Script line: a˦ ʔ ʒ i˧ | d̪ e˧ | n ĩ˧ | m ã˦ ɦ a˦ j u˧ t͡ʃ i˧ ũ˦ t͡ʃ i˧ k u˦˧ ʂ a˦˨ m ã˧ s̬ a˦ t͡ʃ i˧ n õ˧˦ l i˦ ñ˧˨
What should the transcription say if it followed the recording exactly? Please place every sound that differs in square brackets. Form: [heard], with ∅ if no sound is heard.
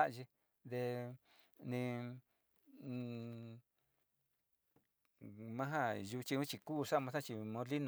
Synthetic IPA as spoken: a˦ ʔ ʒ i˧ | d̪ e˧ | n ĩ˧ | m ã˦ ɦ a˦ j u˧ t͡ʃ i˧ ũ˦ t͡ʃ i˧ k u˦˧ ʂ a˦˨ m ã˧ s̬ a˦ t͡ʃ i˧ [m] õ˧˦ l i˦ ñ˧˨